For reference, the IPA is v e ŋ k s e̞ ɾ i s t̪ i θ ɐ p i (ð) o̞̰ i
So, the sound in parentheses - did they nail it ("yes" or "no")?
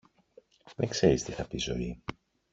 no